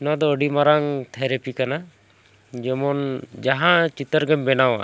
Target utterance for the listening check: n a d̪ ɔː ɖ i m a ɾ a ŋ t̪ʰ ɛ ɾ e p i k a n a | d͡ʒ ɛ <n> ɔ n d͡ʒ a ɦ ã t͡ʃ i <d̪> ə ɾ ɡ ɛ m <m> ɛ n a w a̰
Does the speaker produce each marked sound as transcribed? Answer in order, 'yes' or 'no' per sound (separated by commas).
no, no, no